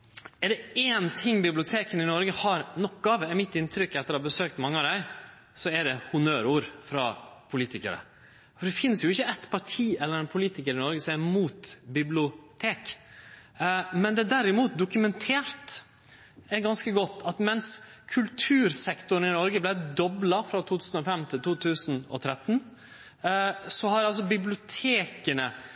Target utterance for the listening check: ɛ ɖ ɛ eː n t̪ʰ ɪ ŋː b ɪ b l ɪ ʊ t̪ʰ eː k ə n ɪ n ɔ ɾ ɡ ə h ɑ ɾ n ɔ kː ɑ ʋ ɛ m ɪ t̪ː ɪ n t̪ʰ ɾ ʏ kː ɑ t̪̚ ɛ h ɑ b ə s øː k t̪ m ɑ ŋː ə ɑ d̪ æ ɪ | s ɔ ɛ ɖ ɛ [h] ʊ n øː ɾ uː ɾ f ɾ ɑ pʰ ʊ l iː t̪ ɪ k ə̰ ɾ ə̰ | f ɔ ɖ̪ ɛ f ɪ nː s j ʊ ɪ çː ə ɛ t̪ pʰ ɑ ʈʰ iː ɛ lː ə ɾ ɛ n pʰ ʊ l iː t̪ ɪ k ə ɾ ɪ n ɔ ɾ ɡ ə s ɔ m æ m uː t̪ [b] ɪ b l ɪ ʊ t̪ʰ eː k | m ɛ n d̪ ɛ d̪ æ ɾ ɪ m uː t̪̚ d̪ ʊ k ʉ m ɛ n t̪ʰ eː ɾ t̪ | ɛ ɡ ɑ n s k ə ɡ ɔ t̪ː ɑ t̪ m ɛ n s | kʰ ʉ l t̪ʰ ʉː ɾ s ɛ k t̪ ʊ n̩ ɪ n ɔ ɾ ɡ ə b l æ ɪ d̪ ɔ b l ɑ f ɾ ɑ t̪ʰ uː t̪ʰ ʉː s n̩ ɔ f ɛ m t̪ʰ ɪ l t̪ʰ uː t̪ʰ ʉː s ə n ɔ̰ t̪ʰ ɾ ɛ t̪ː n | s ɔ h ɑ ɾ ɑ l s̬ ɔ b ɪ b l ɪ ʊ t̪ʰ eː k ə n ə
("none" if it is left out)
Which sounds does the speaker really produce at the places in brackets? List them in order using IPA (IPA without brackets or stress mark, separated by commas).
h, b